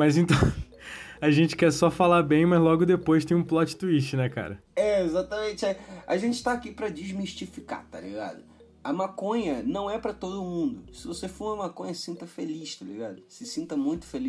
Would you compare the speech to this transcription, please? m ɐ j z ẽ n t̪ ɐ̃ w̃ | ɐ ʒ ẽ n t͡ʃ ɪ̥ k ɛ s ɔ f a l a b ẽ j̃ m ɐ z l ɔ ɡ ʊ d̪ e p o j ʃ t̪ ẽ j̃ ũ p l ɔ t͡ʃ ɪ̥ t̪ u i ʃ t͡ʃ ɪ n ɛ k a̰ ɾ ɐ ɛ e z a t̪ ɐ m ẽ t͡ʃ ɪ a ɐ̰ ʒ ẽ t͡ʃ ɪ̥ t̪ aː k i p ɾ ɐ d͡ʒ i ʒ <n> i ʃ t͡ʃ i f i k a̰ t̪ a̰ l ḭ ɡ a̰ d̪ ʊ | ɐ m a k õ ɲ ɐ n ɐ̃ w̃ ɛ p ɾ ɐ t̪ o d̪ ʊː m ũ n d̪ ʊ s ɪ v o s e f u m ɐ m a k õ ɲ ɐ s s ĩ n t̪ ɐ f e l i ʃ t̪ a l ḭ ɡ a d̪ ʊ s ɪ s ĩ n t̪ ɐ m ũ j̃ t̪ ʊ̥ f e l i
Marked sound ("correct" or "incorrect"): incorrect